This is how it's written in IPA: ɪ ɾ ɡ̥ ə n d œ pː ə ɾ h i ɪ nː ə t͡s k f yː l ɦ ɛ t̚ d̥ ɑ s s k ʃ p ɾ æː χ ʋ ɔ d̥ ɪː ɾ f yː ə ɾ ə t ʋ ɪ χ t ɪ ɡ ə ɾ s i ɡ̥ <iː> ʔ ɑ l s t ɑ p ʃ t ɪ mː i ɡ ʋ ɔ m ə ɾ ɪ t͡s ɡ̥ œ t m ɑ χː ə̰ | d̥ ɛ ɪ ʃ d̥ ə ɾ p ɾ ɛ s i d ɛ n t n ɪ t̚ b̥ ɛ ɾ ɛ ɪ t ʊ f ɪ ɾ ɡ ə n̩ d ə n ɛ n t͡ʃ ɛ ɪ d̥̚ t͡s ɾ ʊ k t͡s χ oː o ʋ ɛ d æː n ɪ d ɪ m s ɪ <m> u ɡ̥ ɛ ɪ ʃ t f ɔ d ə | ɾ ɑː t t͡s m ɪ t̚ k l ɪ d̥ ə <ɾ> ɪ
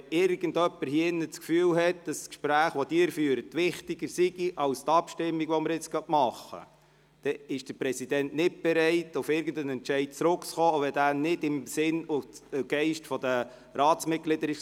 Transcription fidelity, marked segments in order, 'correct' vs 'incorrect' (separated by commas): incorrect, incorrect, correct